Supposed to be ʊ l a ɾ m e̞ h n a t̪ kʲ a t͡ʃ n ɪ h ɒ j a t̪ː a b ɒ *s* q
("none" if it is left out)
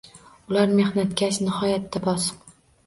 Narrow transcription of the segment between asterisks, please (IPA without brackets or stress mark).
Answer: s